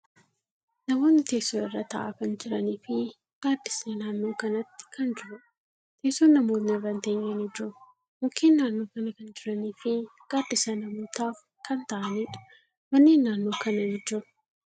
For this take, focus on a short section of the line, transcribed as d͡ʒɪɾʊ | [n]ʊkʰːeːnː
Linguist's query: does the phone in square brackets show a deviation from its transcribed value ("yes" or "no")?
yes